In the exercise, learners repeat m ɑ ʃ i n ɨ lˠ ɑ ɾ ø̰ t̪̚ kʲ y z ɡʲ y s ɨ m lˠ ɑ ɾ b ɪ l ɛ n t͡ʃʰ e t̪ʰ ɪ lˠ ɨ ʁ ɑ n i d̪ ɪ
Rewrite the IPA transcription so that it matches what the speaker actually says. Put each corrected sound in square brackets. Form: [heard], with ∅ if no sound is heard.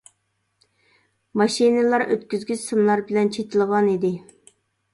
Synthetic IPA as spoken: m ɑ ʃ i n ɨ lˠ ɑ ɾ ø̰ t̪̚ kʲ y z ɡʲ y s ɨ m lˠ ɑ ɾ b ɪ l ɛ n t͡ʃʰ e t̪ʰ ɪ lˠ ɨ ʁ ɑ n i d̪ ɪ